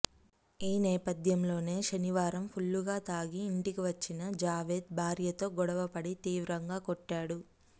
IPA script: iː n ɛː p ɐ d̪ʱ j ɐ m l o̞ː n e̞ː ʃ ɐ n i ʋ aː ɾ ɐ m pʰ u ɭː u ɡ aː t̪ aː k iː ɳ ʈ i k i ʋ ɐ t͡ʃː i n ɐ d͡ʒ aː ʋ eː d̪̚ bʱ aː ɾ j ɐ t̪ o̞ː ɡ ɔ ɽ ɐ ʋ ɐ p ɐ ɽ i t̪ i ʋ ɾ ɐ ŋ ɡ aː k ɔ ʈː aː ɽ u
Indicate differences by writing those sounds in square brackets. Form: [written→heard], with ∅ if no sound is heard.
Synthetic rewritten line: iː n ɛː p ɐ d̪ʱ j ɐ m l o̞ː n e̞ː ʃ ɐ n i ʋ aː ɾ ɐ m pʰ u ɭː u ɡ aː t̪ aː [k→ɡ] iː ɳ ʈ i k i ʋ ɐ t͡ʃː i n ɐ d͡ʒ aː ʋ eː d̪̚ bʱ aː ɾ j ɐ t̪ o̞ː ɡ ɔ ɽ ɐ ʋ ɐ p ɐ ɽ i t̪ [i→iː] ʋ ɾ ɐ ŋ ɡ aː k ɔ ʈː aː ɽ u